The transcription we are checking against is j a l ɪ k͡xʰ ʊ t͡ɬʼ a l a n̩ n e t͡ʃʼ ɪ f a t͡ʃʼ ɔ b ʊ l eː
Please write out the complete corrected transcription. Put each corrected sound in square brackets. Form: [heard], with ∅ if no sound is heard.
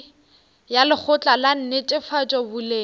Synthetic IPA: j a l ɪ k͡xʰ ʊ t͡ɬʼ a l a n̩ n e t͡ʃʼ ɪ f a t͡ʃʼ ɔ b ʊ l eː